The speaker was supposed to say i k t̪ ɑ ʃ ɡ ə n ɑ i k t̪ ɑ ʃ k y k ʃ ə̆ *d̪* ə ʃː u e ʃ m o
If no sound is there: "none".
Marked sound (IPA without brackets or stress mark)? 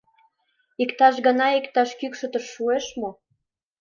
t̪